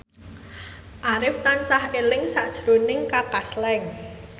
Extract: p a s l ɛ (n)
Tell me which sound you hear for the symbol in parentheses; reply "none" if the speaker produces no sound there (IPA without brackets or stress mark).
ŋ